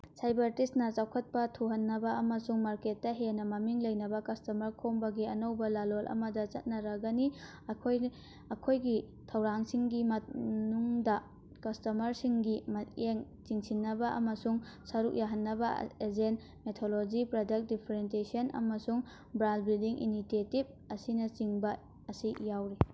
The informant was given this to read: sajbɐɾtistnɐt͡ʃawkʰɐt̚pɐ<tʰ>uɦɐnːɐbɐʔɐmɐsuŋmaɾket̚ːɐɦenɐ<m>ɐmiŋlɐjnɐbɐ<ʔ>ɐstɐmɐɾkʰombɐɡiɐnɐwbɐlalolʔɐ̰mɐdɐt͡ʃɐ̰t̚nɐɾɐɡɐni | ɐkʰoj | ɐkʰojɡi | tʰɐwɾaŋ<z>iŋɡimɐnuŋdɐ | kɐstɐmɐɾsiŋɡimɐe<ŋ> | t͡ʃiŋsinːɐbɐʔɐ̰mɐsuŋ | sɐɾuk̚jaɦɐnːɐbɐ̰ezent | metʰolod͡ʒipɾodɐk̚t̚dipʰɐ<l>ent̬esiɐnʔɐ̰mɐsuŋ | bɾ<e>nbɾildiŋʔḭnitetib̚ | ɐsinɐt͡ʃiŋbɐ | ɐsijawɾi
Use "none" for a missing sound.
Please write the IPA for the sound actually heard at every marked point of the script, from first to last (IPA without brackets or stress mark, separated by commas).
tʰ, m, k, s, ŋ, ɾ, a